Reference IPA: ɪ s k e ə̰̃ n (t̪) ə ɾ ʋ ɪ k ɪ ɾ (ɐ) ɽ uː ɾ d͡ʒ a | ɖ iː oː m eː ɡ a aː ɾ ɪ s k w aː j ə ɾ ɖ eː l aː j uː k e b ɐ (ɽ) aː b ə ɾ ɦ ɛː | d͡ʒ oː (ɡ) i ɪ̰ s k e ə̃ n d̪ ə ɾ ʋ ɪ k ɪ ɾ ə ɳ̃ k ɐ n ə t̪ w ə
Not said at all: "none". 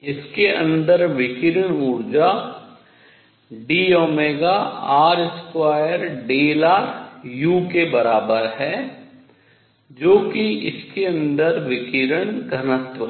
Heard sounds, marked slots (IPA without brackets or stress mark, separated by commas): d̪, ə, ɾ, k